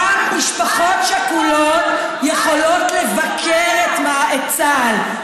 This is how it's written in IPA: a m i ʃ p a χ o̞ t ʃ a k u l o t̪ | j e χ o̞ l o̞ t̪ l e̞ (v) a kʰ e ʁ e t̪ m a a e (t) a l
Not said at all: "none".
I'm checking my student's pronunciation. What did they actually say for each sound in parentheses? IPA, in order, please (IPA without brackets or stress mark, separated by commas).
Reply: v, t͡s